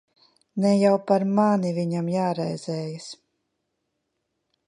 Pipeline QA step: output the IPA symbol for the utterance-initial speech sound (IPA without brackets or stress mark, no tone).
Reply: n